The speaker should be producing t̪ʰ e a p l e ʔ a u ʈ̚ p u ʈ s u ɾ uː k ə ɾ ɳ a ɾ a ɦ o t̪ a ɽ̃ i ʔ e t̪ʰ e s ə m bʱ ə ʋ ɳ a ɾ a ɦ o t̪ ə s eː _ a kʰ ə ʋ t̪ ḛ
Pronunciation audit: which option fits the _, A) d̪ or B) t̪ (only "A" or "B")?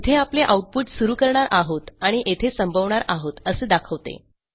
A